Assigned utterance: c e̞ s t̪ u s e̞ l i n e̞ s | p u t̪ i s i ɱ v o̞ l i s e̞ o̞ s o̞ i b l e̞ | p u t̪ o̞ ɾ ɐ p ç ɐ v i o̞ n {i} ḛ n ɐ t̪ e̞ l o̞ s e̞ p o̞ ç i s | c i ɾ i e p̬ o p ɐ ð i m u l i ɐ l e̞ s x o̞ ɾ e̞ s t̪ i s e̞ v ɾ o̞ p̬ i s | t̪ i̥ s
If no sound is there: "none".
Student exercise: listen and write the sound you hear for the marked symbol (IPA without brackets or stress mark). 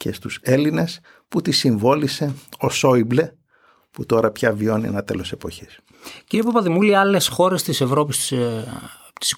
i